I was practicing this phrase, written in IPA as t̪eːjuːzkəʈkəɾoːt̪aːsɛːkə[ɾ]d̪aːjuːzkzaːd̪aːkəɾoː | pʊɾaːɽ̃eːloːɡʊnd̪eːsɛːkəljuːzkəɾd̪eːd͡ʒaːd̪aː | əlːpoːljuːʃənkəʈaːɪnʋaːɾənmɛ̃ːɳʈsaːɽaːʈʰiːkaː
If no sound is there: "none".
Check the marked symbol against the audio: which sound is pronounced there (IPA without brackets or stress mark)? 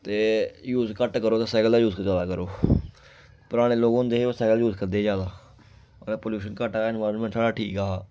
l